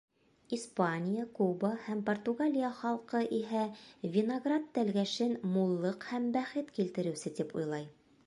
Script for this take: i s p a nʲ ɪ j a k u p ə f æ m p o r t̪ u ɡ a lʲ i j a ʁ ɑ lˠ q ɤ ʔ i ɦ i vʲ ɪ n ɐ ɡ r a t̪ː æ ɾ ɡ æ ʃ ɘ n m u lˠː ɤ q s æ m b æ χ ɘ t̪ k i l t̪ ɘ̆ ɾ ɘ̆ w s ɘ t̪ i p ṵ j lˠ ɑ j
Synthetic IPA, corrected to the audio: i s p a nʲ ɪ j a k u b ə h æ m p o r t̪ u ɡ a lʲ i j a χ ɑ lˠ q ɤ ʔ i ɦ æ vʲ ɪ n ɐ ɡ r a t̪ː æ l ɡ æ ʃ ɘ n m u lˠː ɤ q h æ m b æ χ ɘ t̪ k i l t̪ ɘ̆ ɾ ɘ̆ w s ɘ t̪ i p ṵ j lˠ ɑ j